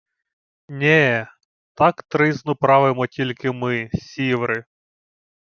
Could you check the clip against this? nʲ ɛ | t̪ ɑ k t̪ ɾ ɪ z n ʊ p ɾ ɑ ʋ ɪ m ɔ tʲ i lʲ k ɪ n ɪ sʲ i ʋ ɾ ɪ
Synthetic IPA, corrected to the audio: nʲ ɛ | t̪ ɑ k t̪ ɾ ɪ z n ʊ p ɾ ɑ ʋ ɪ m ɔ tʲ i lʲ k ɪ m ɪ sʲ i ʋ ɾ ɪ

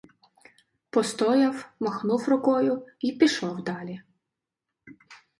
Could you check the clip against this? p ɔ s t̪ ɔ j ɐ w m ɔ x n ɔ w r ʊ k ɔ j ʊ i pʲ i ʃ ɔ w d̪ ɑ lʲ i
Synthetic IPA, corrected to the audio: p ɔ s t̪ ɔ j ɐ w m ɔ x n u w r ʊ k ɔ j ʊ i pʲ i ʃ ɔ w d̪ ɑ lʲ i

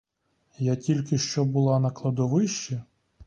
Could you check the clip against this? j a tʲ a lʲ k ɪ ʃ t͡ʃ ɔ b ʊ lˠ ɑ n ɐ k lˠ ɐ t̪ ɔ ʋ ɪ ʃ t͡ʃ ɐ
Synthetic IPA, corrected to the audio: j a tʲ i lʲ k ɪ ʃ t͡ʃ ɔ b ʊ lˠ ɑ n ɐ k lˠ ɐ d̪ ɔ ʋ ɪ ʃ t͡ʃ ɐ

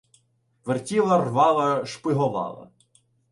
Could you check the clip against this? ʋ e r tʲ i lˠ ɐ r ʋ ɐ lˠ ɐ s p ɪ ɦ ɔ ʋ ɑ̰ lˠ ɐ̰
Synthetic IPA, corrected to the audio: ʋ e r tʲ i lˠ ɐ r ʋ ɑ lˠ ɐ ʃ p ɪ ɦ ɔ ʋ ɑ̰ lˠ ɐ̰

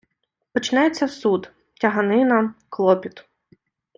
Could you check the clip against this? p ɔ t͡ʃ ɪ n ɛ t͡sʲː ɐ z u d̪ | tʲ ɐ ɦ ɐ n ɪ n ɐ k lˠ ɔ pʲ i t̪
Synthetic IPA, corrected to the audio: p ɔ t͡ʃ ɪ n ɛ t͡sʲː ɐ s u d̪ | tʲ ɐ ɦ ɐ n ɪ n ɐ k lˠ ɔ pʲ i t̪

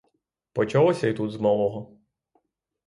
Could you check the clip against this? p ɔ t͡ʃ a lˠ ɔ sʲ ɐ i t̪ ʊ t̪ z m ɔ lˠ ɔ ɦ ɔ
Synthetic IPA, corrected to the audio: p ɔ t͡ʃ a lˠ ɔ sʲ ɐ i t̪ u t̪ z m ɔ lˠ ɔ ɦ ɔ

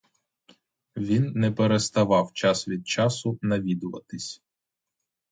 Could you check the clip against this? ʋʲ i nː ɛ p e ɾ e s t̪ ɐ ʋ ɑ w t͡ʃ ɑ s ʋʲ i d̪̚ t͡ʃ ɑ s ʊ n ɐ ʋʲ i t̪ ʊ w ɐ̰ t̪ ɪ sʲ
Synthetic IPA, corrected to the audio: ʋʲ i nː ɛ p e ɾ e s t̪ ɐ ʋ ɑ w t͡ʃ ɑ s ʋʲ i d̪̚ t͡ʃ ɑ s ʊ n ɐ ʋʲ i d̪ ʊ ʋ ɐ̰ t̪ ɪ sʲ

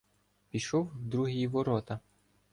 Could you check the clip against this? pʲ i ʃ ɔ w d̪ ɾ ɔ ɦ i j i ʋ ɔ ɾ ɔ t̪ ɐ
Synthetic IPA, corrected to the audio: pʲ i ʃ ɔ w d̪ ɾ u ɦ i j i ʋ ɔ ɾ ɔ t̪ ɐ

